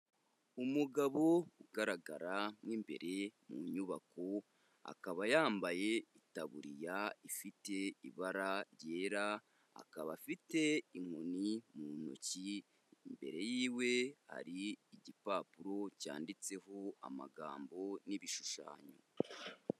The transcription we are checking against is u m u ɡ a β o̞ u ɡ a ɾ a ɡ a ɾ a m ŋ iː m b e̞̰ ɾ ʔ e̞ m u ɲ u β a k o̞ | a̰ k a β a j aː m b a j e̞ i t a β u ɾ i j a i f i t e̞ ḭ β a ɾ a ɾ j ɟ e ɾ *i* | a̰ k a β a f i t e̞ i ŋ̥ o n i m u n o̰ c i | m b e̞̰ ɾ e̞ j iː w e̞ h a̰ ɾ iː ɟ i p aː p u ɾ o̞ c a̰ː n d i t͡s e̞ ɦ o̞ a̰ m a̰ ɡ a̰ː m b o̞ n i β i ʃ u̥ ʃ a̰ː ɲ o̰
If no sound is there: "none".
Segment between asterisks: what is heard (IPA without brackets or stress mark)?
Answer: a